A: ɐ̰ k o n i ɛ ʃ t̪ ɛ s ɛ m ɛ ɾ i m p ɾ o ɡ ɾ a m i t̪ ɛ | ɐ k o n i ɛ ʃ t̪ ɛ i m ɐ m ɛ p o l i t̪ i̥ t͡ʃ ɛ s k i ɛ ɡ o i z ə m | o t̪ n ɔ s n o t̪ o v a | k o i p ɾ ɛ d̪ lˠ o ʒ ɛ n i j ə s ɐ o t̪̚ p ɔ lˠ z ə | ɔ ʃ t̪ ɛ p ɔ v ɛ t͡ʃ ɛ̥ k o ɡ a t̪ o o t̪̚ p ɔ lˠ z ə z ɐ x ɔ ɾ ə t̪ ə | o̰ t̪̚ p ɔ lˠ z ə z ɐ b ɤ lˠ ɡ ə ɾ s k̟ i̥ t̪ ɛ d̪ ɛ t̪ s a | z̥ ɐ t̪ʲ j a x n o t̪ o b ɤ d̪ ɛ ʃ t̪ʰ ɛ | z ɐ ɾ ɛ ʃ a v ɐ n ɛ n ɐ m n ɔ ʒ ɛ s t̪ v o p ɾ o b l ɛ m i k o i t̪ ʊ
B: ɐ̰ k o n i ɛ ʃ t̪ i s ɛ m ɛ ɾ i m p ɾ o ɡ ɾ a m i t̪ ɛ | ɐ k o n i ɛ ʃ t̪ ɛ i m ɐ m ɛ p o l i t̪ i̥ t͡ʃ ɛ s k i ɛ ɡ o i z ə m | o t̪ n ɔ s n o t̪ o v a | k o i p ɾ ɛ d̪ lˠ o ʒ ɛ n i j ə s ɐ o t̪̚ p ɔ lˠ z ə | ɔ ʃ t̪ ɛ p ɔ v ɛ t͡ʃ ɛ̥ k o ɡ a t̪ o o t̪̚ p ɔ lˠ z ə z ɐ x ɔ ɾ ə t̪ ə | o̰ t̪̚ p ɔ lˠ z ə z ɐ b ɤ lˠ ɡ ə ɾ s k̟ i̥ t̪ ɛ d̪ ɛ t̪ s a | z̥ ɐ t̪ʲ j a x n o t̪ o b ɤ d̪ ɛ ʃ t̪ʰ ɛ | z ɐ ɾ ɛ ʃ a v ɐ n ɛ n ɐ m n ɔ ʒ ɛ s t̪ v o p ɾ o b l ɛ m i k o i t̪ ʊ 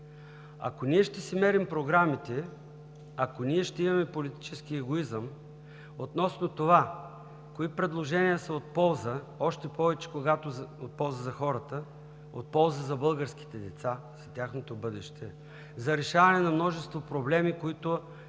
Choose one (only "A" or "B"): A